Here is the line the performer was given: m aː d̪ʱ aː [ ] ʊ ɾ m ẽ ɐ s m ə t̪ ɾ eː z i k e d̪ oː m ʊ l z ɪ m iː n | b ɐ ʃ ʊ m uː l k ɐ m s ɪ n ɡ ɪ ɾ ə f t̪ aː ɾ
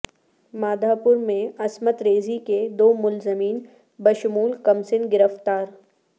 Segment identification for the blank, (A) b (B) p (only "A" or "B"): B